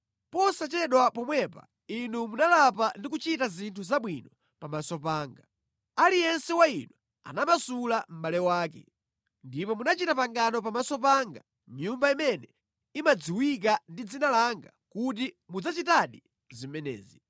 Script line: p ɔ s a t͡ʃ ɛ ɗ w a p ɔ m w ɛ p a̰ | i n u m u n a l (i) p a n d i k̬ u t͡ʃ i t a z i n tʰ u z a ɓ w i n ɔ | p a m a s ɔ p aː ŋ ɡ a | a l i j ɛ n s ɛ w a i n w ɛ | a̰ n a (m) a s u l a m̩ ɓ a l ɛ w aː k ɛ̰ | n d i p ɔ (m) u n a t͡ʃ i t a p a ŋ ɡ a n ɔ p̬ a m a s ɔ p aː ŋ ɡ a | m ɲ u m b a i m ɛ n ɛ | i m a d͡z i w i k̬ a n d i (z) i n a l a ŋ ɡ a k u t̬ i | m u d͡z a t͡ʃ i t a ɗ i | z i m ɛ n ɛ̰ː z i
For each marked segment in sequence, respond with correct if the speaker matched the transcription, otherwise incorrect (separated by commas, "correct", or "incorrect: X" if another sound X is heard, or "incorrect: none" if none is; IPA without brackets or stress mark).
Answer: incorrect: a, correct, correct, incorrect: d͡z